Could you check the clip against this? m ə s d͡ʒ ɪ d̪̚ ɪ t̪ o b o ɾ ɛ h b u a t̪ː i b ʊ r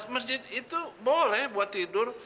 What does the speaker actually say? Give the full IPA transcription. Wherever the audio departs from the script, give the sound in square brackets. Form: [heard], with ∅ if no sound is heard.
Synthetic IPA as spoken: m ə s d͡ʒ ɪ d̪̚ [i] t̪ [u] b o [l] ɛ h b u a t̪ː i [d] ʊ r